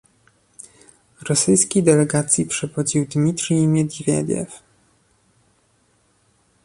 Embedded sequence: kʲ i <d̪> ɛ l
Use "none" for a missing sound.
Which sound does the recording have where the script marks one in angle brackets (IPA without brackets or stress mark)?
d̪